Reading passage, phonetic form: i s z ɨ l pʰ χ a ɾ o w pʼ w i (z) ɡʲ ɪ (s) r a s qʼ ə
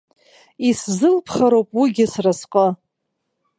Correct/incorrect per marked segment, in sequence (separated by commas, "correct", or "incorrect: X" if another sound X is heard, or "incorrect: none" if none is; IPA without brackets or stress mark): incorrect: none, correct